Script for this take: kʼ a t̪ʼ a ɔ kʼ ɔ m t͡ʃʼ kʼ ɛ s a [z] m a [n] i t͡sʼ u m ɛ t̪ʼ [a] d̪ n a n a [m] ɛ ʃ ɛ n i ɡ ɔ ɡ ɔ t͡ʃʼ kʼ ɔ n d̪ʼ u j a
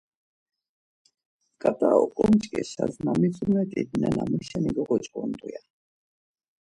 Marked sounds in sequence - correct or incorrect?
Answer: correct, incorrect: m, incorrect: i, correct

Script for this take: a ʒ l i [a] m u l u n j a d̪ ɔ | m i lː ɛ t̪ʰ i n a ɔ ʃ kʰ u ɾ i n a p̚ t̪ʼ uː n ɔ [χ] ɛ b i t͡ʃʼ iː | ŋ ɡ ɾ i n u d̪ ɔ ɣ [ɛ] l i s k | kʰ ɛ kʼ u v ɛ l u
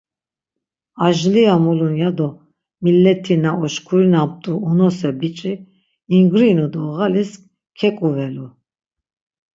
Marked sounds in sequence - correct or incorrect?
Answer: correct, incorrect: s, incorrect: a

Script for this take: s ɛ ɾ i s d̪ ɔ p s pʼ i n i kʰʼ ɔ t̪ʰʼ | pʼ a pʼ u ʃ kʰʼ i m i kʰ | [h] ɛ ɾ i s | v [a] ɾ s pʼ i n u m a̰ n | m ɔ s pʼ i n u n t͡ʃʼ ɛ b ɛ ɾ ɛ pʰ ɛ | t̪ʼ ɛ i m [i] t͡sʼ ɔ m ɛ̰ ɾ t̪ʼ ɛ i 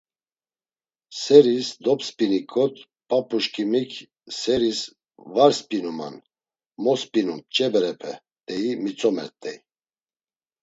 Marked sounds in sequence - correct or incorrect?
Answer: incorrect: s, correct, correct

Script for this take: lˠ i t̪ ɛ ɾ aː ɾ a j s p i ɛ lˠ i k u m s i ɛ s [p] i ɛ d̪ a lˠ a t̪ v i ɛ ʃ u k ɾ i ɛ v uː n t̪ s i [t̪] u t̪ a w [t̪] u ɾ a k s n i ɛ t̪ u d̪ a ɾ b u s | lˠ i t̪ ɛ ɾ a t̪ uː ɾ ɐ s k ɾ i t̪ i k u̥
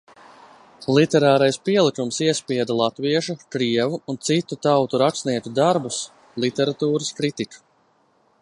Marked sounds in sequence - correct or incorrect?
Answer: correct, correct, correct

